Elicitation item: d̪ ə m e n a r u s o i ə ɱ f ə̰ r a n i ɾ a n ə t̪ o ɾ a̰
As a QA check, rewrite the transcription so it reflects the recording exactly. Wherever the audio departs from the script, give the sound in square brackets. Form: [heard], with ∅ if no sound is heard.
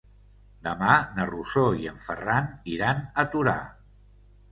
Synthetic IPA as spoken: d̪ ə m [a] n [ə] r u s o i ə ɱ f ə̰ r a n i ɾ a n ə t̪ [u] ɾ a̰